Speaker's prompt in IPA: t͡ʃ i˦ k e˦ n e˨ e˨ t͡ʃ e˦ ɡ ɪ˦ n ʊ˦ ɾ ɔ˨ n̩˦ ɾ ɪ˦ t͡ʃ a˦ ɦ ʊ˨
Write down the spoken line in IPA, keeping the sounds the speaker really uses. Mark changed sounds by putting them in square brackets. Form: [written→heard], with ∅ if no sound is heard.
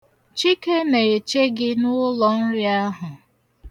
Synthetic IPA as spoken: t͡ʃ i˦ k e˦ n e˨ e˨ t͡ʃ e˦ ɡ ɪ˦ n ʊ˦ [ɾ→l] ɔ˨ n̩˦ ɾ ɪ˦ [t͡ʃ→∅] a˦ ɦ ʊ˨